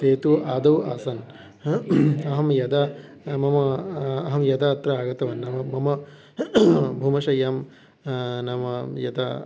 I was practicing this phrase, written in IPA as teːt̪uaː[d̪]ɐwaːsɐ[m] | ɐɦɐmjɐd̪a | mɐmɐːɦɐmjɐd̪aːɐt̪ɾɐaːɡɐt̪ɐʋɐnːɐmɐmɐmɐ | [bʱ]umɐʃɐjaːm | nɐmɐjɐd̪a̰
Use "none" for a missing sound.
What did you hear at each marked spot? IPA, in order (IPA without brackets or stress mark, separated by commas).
d̪, n, bʱ